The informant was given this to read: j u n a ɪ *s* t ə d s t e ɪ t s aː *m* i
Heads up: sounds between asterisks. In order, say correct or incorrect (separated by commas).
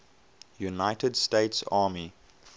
incorrect, correct